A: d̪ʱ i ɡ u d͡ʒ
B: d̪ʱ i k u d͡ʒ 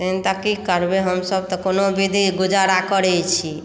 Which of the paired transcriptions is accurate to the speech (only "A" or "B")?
A